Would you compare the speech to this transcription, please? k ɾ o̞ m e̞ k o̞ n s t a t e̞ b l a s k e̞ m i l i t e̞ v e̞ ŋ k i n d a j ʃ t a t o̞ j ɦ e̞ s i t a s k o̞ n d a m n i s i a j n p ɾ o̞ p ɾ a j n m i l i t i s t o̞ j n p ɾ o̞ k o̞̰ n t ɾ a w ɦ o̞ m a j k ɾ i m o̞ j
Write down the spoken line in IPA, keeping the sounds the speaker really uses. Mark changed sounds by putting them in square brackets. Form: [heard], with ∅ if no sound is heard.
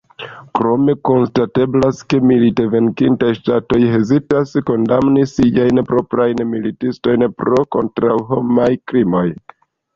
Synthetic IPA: k ɾ o̞ m e̞ k o̞ n s t a t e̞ b l a s k e̞ m i l i t e̞ v e̞ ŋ k i n [t] a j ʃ t a t o̞ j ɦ e̞ [z] i t a s k o̞ n d a m n i s i a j n p ɾ o̞ p ɾ a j n m i l i t i s t o̞ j n p ɾ o̞ k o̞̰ n t ɾ a w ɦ o̞ m a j k ɾ i m o̞ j